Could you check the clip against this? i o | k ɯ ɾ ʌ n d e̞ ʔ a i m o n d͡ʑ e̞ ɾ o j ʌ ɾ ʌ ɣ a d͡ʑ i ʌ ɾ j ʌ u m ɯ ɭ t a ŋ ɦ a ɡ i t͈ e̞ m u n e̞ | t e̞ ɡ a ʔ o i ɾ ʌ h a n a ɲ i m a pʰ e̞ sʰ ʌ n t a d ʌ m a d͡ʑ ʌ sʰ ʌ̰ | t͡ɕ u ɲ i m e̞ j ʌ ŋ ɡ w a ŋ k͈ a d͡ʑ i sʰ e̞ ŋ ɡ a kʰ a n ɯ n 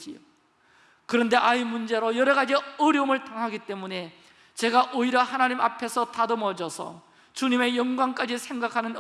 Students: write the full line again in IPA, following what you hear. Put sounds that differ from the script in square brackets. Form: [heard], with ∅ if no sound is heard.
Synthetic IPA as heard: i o | k ɯ ɾ ʌ n d e̞ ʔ a i m [u] n d͡ʑ e̞ ɾ o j ʌ ɾ ʌ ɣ a d͡ʑ i ʌ ɾ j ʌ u m ɯ ɭ t a ŋ ɦ a ɡ i t͈ e̞ m u n e̞ | [t͡ɕ] e̞ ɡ a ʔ o i ɾ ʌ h a n a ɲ i m a pʰ e̞ sʰ ʌ [∅] t a d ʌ m [ʌ] d͡ʑ ʌ sʰ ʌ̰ | t͡ɕ u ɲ i m e̞ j ʌ ŋ ɡ w a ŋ k͈ a d͡ʑ i sʰ e̞ ŋ ɡ a kʰ a n ɯ n